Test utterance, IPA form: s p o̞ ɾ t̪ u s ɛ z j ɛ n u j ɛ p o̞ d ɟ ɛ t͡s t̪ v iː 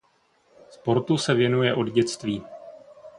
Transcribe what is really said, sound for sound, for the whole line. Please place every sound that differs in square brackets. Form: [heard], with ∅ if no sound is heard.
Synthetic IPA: s p o̞ ɾ t̪ u s ɛ [v] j ɛ n u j ɛ [ʔ] o̞ d ɟ ɛ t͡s t̪ v iː